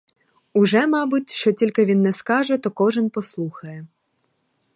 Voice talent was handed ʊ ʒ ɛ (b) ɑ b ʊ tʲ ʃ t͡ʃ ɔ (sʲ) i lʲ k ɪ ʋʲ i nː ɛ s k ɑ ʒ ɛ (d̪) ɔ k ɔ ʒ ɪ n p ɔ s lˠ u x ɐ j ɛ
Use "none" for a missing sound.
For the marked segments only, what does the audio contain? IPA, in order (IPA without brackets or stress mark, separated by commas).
m, tʲ, t̪